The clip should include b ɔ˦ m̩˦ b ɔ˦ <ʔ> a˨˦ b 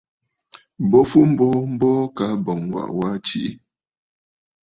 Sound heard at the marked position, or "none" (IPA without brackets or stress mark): k